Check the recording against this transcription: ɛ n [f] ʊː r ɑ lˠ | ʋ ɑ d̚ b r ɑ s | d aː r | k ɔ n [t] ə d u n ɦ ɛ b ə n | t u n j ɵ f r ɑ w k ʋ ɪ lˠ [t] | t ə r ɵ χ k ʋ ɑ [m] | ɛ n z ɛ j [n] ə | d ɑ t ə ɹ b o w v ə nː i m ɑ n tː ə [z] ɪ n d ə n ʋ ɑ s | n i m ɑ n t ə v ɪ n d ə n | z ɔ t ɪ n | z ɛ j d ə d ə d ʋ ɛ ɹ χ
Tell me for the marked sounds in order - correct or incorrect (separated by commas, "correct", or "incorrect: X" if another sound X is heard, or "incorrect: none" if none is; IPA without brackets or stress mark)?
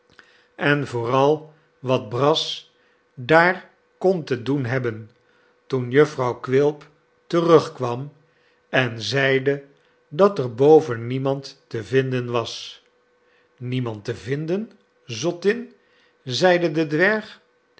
incorrect: v, correct, incorrect: p, correct, incorrect: d, incorrect: v